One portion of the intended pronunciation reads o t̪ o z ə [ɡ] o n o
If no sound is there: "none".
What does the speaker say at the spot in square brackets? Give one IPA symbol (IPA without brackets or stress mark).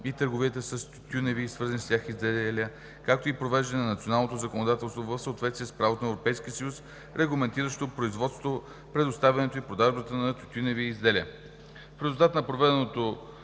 k